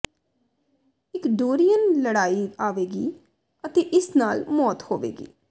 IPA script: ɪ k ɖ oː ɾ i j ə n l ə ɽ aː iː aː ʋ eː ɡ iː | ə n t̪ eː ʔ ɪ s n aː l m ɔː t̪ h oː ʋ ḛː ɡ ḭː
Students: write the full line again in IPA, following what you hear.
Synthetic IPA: ɪ k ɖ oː ɾ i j ə n l ə ɽ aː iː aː ʋ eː ɡ iː | ə t̪ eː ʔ ɪ s n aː l m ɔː t̪ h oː ʋ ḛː ɡ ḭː